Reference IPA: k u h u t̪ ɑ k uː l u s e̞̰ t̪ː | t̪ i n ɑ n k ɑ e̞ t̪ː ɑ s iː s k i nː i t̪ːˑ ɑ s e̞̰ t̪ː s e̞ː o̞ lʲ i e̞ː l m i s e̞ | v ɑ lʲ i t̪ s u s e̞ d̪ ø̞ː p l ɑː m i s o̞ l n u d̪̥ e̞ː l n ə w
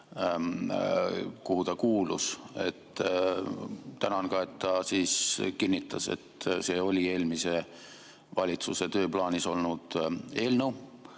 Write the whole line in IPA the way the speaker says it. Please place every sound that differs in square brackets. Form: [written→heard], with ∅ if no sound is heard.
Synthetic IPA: k u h u t̪ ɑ k uː l u s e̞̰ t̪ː | t̪ [i→æ] n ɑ n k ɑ e̞ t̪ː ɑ s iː s k i nː i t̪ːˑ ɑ s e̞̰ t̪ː s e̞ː o̞ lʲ i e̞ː l m i s e̞ | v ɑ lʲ i t̪ s u s e̞ [d̪→t̪] ø̞ː p l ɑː [m→n] i s o̞ l n u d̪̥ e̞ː l n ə w

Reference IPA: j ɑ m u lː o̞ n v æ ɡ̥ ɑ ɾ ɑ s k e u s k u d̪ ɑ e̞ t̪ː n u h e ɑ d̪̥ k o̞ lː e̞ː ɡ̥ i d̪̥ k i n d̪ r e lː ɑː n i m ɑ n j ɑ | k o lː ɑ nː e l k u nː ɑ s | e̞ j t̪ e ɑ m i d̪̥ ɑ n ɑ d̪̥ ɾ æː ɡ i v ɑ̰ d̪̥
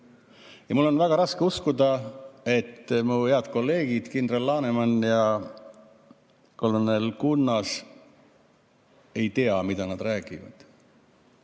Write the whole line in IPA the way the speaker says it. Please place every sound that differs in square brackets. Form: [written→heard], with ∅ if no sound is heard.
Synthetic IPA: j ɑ m u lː o̞ n v æ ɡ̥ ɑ ɾ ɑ s k e u s k u d̪ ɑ e̞ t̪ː [n→m] u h e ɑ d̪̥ k o̞ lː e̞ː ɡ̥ i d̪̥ k i n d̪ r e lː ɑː n [i→e] m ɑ n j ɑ | k o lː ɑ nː e l k u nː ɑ s | e̞ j t̪ e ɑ m i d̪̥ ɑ n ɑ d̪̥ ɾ æː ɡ i v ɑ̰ d̪̥

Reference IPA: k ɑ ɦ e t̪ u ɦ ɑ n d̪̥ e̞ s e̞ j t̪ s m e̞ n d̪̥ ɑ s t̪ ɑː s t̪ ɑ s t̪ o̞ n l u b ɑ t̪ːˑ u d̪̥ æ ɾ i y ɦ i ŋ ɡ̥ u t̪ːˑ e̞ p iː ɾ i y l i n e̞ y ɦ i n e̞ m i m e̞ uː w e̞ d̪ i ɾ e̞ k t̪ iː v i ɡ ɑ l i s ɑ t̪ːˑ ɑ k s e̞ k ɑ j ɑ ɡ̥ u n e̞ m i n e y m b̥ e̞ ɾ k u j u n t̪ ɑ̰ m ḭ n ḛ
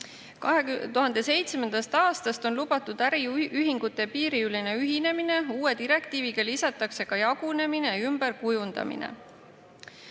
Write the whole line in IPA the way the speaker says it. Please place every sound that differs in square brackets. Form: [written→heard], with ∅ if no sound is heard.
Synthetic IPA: k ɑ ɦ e t̪ u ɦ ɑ n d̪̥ e̞ s e̞ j t̪ s m e̞ n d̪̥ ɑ s t̪ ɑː s t̪ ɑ s t̪ o̞ n l u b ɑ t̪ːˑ u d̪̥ æ ɾ i y ɦ i ŋ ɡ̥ u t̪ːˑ e̞ p iː ɾ i y l i n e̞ y ɦ i n e̞ m i [m→n] e̞ uː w e̞ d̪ i ɾ e̞ k t̪ iː v i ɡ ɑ l i s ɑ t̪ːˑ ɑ k s e̞ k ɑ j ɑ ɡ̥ u n e̞ m i n e y m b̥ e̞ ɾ k u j u n [t̪→d̪] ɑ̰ m ḭ n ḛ

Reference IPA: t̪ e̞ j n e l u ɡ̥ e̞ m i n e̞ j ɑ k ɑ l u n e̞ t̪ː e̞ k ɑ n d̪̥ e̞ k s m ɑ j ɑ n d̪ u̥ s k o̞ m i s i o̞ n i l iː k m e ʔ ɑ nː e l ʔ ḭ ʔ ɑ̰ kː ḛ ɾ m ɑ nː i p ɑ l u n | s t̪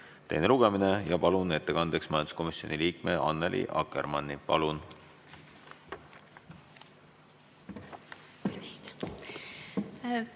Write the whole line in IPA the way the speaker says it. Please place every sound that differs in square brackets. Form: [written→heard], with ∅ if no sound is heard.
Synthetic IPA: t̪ e̞ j n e l u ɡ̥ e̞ m i n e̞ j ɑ [k→p] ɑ l u n e̞ t̪ː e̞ k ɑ n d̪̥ e̞ k s m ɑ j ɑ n d̪ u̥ s k o̞ m i s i o̞ n i l iː k m e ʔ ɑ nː e l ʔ ḭ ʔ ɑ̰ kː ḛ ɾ m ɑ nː i p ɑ l u n | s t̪

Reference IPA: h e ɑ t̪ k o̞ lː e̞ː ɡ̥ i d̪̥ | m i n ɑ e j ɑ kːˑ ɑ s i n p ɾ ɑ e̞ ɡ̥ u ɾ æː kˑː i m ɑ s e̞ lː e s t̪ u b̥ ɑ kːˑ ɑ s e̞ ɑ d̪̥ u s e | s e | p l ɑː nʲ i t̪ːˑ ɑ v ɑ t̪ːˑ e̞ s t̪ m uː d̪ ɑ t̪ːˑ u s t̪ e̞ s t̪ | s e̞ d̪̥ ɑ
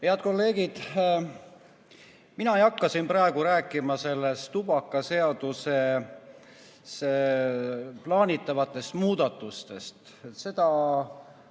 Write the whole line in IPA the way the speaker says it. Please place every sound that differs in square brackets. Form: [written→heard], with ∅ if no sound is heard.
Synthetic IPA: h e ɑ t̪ k o̞ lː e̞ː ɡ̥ i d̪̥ | m i n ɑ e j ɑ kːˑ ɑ s i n p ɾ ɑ e̞ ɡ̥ u ɾ æː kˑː i m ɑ s e̞ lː e s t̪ u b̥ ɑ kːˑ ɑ s e̞ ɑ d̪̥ u s e | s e | p l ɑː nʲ i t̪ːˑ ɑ v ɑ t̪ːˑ e̞ s t̪ m uː d̪ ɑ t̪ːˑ u s t̪ e̞ s t̪ | s e̞ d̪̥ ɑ

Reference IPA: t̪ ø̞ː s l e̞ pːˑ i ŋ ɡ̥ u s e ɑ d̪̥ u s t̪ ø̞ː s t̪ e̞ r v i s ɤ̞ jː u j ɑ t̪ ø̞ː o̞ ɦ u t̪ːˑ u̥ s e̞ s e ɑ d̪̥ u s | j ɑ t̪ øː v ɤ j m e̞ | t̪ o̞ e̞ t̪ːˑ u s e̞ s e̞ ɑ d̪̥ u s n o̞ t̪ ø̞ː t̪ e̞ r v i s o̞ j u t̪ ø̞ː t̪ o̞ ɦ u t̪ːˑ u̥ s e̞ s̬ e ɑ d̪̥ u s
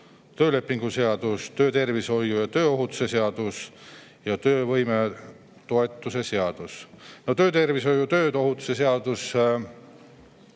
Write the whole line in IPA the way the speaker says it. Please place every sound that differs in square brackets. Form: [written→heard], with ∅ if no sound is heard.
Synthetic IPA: t̪ ø̞ː [s→∅] l e̞ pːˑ i ŋ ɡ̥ u s e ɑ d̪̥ u s t̪ ø̞ː [s→∅] t̪ e̞ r v i s [ɤ̞→o̞] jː u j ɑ t̪ ø̞ː o̞ ɦ u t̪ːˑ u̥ s e̞ s e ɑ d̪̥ u s | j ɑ t̪ øː v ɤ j m e̞ | t̪ o̞ e̞ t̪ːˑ u s e̞ s e̞ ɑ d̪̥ u s n o̞ t̪ ø̞ː t̪ e̞ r v i s o̞ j u t̪ ø̞ː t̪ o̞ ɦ u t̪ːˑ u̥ s e̞ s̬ e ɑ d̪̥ u s

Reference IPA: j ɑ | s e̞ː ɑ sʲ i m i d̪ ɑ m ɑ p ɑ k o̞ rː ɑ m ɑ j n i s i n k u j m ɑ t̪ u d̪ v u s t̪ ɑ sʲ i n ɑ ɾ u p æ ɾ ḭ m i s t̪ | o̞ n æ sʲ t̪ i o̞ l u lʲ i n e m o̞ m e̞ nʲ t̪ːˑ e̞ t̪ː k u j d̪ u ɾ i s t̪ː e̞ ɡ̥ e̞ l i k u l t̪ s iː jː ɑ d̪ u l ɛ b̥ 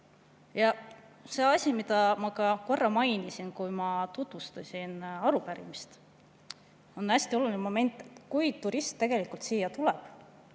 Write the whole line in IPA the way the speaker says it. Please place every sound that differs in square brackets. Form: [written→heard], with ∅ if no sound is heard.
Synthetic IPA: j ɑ | s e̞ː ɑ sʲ i m i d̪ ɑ m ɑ [p→k] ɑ k o̞ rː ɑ m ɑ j n i s i n k u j m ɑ t̪ u [d̪→t̪] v u s t̪ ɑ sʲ i n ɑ ɾ u p æ ɾ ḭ m i s t̪ | o̞ n æ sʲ t̪ i o̞ l u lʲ i n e m o̞ m e̞ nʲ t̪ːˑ e̞ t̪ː k u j [d̪→t̪] u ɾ i s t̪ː e̞ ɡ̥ e̞ l i k u l t̪ s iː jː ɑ [d̪→t̪] u l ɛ b̥

